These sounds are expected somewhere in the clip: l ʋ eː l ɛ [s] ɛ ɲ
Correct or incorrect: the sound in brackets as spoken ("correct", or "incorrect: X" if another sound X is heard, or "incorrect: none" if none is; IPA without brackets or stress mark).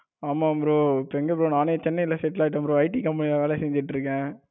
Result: correct